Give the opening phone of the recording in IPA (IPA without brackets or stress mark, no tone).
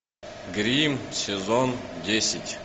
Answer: ɡ